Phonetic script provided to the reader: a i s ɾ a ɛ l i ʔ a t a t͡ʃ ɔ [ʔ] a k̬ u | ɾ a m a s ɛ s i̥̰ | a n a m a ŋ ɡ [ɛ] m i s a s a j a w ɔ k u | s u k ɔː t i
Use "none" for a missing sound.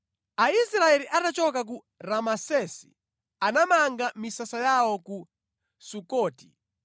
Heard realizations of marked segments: k, a

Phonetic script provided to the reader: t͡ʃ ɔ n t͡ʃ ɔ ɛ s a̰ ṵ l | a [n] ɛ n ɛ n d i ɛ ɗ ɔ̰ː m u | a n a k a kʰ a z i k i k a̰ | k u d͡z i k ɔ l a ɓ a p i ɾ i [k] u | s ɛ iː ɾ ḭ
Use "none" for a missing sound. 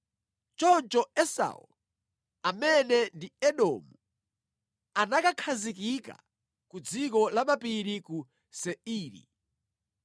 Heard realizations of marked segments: m, k

